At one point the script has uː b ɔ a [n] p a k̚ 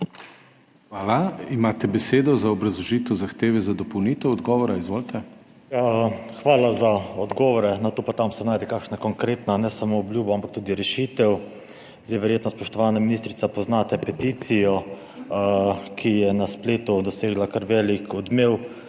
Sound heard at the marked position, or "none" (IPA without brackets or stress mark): m